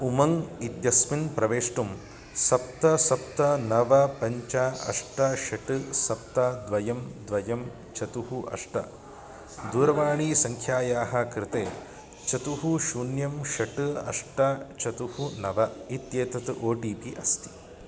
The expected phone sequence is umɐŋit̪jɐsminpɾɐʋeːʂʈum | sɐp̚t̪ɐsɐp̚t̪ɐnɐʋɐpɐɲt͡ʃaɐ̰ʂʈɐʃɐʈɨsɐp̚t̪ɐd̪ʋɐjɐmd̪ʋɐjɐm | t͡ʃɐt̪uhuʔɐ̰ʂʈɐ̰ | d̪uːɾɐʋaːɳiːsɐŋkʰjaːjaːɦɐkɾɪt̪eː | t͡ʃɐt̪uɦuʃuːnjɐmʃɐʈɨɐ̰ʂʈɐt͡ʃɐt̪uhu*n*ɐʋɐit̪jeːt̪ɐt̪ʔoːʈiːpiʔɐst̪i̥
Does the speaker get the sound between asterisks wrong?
no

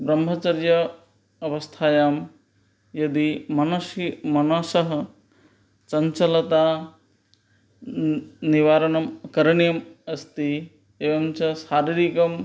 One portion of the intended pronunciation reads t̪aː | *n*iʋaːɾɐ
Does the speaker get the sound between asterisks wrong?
no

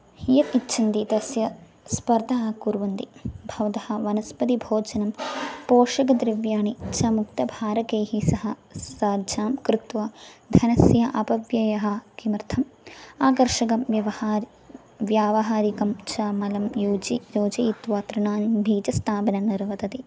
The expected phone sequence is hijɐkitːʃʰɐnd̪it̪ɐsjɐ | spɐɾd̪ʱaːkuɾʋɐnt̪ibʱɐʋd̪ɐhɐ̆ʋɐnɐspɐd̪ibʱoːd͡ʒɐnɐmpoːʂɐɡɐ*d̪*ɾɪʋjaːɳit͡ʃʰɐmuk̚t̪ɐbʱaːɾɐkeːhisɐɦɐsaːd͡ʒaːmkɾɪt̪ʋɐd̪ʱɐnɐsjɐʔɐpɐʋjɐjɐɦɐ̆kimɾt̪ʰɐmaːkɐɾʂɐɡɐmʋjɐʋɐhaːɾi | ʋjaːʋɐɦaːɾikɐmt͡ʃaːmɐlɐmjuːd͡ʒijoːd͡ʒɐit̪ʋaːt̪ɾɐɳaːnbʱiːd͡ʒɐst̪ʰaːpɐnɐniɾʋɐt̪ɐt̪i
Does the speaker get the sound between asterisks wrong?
no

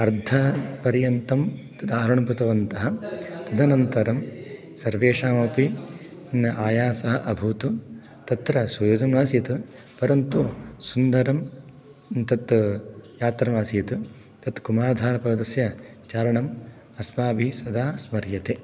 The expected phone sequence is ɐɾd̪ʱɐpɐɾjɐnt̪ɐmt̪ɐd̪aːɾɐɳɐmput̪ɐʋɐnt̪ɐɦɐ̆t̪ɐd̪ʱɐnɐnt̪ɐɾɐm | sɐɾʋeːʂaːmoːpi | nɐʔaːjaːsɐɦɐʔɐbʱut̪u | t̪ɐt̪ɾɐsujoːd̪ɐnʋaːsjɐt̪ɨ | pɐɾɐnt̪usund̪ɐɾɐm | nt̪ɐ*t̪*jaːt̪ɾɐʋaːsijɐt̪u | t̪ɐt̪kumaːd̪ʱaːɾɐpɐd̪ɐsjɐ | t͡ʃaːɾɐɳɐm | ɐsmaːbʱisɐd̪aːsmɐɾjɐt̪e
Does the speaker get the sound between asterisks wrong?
no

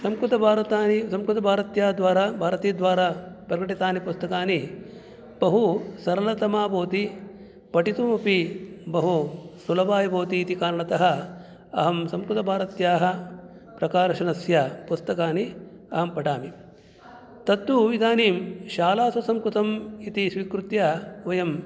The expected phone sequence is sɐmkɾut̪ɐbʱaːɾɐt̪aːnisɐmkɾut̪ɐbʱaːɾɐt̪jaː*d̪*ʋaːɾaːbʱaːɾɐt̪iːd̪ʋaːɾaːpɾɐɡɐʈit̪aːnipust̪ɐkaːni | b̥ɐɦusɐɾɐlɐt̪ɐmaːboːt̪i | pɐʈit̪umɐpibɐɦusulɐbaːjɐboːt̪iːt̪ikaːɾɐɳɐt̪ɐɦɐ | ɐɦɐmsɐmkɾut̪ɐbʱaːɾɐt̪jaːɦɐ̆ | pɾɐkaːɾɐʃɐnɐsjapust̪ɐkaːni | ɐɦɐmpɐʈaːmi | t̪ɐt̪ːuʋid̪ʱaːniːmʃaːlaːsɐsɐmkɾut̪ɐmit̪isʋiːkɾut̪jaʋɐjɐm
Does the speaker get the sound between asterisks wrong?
no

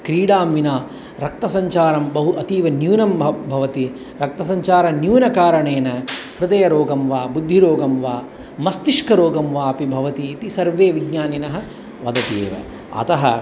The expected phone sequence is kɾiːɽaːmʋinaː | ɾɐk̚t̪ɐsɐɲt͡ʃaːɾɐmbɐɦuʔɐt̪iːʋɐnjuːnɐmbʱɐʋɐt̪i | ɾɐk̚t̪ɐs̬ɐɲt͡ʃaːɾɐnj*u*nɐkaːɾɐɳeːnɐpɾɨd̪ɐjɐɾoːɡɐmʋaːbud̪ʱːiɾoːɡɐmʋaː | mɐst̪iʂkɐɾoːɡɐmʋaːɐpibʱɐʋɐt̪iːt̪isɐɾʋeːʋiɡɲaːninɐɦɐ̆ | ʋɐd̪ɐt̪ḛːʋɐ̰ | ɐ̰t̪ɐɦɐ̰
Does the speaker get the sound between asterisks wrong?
yes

